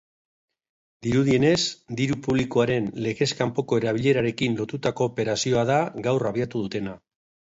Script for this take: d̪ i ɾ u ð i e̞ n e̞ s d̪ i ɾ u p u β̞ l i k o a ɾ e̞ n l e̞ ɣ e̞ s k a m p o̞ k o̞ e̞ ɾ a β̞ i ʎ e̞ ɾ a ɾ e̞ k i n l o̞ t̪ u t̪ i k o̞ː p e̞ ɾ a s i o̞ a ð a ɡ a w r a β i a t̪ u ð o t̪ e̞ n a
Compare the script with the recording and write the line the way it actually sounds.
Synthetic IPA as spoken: d̪ i ɾ u ð i e̞ n e̞ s d̪ i ɾ u p u β̞ l i k o a ɾ e̞ n l e̞ ɣ e̞ s k a m p o̞ k o̞ e̞ ɾ a β̞ i ʎ e̞ ɾ a ɾ e̞ k i n l o̞ t̪ u t̪ a k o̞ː p e̞ ɾ a s i o̞ a ð a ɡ a w r a β i a t̪ u ð u t̪ e̞ n a

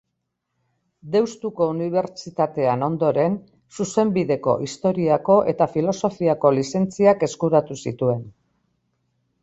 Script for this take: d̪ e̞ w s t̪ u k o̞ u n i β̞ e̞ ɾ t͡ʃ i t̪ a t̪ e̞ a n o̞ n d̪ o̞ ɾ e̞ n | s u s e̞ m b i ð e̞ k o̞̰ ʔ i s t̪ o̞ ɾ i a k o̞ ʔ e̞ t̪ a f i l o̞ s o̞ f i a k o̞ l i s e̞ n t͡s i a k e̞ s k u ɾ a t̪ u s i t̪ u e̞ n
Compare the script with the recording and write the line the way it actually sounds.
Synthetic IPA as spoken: d̪ e̞ w s t̪ u k o̞ u n i β̞ e̞ ɾ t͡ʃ i t̪ a t̪ e̞ a n o̞ n d̪ o̞ ɾ e̞ n | s u s e̞ m b i ð e̞ k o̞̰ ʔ i s t̪ o̞ ɾ i a k o̞ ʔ e̞ t̪ a f i l o̞ s o̞ f i a k o̞ l i s e̞ n t͡s i a k e̞ s k u ɾ a t̪ u s i t̪ u e̞ n

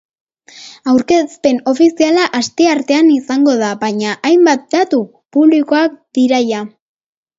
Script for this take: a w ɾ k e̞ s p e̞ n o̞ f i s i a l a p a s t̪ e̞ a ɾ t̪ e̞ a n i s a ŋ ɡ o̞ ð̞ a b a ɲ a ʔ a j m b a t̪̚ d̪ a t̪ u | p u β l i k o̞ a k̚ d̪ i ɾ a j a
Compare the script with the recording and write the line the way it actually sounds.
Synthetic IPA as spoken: a w ɾ k e̞ s p e̞ n o̞ f i s i a l a ʔ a s t̪ e̞ a ɾ t̪ e̞ a n i s a ŋ ɡ o̞ ð̞ a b a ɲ a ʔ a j m b a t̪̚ d̪ a t̪ u | p u β l i k o̞ a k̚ d̪ i ɾ a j a

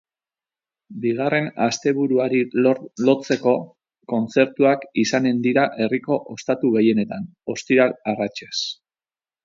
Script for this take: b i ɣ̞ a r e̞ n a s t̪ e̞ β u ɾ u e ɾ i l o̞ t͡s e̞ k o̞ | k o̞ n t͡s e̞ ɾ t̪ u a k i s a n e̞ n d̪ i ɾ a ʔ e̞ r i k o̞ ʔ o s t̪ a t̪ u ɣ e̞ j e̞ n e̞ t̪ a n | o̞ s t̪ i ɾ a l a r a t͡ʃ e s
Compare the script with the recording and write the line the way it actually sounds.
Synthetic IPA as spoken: b i ɣ̞ a r e̞ n a s t̪ e̞ β u ɾ u a ɾ i l o̞ t͡s e̞ k o̞ | k o̞ n t͡s e̞ ɾ t̪ u a k i s a n e̞ n d̪ i ɾ a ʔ e̞ r i k o̞ ʔ o s t̪ a t̪ u ɣ e̞ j e̞ n e̞ t̪ a n | o̞ s t̪ i ɾ a l a r a t͡ʃ e s

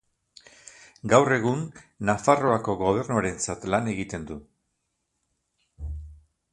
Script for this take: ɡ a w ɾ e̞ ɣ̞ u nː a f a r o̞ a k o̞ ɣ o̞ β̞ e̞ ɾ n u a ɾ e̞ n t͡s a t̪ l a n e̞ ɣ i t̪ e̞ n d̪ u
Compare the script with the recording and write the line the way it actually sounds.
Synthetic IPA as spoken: ɡ a w r e̞ ɣ̞ u nː a f a r o̞ a k o̞ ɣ o̞ β̞ e̞ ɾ n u a ɾ e̞ n t͡s a t̪ l a n e̞ ɣ i t̪ e̞ n d̪ u

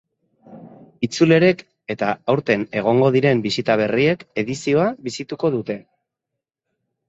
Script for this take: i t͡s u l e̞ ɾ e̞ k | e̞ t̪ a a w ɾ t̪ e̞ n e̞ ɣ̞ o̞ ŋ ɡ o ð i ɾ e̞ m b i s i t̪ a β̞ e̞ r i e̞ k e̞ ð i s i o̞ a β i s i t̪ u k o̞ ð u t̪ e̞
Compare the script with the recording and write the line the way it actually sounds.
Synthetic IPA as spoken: i t͡s u l e̞ ɾ e̞ k | e̞ t̪ a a w ɾ t̪ e̞ n e̞ ɣ̞ o̞ ŋ ɡ o ð i ɾ e̞ m b i s i t̪ a β̞ e̞ r i e̞ k e̞ ð i s i o̞ a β i s i t̪ u k o̞ ð u t̪ e̞

